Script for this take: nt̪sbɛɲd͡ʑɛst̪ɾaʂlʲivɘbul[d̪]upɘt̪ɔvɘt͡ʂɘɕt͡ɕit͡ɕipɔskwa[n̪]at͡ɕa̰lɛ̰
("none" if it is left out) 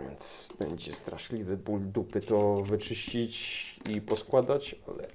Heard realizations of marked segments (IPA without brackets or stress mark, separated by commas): d̪, d̪